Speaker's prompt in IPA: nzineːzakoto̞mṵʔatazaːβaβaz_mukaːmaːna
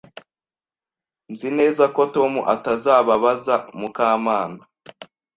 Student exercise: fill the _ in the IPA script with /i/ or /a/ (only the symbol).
a